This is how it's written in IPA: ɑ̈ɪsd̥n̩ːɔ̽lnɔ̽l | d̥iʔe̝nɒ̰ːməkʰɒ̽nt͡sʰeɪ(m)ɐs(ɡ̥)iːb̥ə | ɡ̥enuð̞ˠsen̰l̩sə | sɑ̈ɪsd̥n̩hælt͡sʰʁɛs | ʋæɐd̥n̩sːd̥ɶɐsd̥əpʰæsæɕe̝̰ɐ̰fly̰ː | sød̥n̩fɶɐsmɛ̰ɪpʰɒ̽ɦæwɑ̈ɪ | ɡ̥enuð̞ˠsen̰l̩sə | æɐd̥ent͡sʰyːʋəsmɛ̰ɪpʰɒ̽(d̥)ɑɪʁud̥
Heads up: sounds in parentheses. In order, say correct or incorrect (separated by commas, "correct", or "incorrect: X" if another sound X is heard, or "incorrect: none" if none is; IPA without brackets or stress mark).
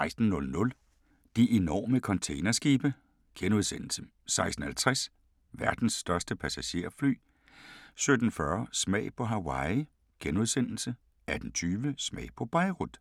incorrect: n, correct, incorrect: b̥